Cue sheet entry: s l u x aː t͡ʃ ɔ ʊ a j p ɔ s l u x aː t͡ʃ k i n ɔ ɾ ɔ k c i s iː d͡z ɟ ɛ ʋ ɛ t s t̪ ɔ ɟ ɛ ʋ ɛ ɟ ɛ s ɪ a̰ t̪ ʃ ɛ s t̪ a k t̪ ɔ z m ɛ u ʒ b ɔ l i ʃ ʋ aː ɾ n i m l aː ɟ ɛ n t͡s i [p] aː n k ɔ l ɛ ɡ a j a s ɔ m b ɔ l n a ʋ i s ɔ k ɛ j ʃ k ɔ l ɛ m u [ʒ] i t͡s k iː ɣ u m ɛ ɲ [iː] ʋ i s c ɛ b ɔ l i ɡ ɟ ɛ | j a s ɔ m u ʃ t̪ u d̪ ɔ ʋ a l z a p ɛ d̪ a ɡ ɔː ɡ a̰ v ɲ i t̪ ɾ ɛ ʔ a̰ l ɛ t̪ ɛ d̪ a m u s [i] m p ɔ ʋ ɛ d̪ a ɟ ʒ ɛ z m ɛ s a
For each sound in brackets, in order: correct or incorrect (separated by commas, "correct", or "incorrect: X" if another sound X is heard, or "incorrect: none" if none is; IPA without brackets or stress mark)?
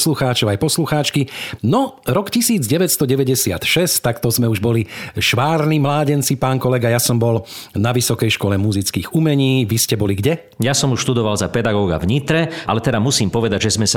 correct, incorrect: z, correct, incorrect: iː